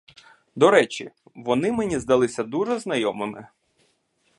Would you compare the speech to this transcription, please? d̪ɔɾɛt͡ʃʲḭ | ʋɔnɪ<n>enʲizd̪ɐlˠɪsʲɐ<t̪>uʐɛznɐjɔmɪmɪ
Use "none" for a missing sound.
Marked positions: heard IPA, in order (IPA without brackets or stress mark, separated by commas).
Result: m, d̪